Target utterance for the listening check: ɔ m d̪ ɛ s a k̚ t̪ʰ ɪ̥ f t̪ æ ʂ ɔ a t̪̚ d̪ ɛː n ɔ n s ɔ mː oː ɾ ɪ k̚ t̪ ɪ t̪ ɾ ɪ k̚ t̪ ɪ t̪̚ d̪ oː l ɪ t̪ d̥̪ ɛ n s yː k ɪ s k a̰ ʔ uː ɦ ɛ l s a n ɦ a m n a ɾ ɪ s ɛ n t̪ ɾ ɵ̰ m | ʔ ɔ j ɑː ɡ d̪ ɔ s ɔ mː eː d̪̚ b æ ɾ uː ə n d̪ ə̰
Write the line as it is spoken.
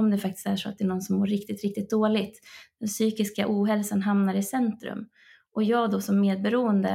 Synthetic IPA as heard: ɔ m d̪ ɛ f a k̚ t̪ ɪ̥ s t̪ æ ʂ ɔ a t̪̚ d̪ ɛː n ɔ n s ɔ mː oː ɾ ɪ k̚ t̪ ɪ t̪ ɾ ɪ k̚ t̪ ɪ t̪̚ d̪ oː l ɪ t̪ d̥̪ ɛ n s yː k ɪ s k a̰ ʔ uː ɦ ɛ l s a n ɦ a m n a ɾ ɪ s ɛ n t̪ ɾ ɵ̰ m | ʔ ɔ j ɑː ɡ d̪ ɔ s ɔ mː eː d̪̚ b ɛ ɾ uː ə n d̪ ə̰